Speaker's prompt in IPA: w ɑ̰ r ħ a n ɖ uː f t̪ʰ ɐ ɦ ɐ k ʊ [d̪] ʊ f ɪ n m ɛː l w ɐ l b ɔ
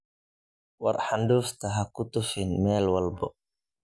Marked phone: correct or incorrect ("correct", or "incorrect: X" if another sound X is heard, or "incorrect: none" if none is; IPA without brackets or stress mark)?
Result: incorrect: t̪